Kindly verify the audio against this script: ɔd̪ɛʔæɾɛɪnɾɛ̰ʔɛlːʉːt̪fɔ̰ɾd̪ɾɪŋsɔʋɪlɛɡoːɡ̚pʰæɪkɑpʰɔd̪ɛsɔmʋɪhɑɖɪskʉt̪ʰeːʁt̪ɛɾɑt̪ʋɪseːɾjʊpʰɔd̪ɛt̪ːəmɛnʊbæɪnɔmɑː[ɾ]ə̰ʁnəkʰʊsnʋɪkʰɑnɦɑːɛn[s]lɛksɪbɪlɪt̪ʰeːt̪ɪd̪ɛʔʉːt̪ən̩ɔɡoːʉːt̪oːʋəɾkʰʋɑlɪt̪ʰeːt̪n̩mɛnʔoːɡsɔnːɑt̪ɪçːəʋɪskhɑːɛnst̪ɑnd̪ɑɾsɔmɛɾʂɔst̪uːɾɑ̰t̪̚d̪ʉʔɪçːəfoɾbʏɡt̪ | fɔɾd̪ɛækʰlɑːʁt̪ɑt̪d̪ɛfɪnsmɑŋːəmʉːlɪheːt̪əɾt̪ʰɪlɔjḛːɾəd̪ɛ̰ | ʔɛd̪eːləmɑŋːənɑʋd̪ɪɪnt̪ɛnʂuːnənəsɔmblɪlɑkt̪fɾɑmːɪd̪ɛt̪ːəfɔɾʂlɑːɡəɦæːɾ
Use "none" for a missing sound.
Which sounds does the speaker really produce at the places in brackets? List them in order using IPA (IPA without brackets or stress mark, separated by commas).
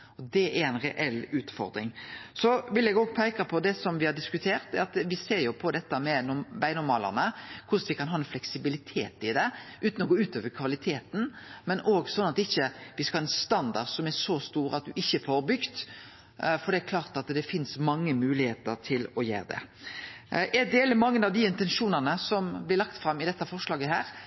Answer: l, f